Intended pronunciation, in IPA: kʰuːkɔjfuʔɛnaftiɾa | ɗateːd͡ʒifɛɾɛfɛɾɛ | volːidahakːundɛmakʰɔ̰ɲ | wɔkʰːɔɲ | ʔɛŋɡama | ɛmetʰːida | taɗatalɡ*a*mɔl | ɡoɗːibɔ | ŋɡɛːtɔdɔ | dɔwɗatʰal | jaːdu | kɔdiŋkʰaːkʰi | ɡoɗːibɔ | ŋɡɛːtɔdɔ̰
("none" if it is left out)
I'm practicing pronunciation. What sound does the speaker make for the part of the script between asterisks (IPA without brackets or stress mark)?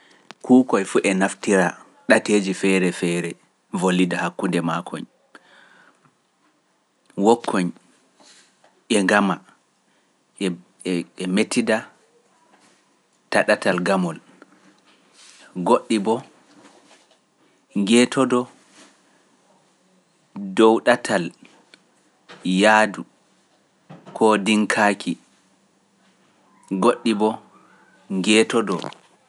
a